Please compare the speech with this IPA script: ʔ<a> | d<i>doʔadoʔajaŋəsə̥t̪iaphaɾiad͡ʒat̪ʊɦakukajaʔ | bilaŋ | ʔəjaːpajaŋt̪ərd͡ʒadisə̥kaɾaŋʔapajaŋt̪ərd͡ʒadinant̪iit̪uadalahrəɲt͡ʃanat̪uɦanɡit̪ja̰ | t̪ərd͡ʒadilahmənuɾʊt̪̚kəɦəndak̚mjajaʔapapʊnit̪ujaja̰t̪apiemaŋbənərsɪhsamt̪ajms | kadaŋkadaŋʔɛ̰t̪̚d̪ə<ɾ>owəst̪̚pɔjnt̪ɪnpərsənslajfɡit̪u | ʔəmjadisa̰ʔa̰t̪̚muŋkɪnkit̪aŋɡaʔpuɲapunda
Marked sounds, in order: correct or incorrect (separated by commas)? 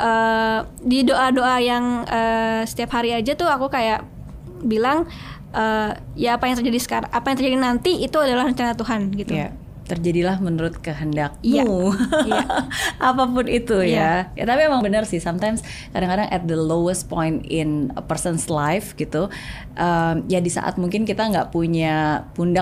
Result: incorrect, correct, incorrect